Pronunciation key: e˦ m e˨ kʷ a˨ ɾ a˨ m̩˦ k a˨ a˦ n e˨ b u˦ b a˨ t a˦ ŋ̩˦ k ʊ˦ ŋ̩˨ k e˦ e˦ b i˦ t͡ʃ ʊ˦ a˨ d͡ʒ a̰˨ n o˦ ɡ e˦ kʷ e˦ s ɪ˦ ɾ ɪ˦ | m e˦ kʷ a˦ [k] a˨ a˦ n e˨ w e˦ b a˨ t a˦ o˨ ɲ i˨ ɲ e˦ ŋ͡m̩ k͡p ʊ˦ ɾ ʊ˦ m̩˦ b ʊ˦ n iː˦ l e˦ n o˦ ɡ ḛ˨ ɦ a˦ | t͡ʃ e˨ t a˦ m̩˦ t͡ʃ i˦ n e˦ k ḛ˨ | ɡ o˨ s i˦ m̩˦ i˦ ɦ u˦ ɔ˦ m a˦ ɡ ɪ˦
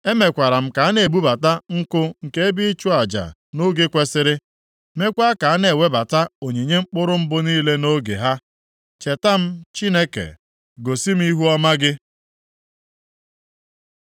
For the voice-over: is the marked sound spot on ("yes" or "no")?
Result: yes